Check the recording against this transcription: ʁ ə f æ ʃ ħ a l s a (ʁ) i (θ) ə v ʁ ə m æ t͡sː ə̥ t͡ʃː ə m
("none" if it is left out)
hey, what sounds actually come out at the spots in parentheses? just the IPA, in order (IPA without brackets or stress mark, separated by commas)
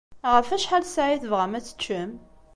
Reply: ʕ, θ